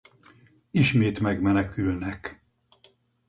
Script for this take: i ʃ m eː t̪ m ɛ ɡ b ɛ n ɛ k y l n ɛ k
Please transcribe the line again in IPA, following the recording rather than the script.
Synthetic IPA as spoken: i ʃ m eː t̪ m ɛ ɡ m ɛ n ɛ k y l n ɛ k